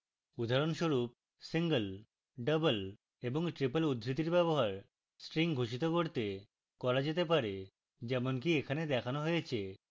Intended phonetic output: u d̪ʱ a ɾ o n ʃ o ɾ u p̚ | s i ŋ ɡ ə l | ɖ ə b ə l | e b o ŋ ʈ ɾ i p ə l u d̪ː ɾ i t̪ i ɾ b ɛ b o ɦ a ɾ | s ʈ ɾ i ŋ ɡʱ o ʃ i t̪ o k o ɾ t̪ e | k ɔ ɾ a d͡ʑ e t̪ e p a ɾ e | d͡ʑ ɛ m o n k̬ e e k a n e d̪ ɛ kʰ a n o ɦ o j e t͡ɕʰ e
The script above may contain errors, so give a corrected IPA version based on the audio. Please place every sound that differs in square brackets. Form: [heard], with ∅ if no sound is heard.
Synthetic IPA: u d̪ʱ a ɾ o n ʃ o ɾ u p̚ | s i ŋ ɡ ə l | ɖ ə b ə l | e b o ŋ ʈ ɾ i p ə l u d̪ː ɾ i t̪ i ɾ b ɛ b o ɦ a ɾ | s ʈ ɾ i ŋ ɡʱ o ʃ i t̪ o k o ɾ t̪ e | k ɔ ɾ a d͡ʑ e t̪ e p a ɾ e | d͡ʑ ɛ m o n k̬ [i] e [kʰ] a n e d̪ ɛ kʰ a n o ɦ o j e t͡ɕʰ e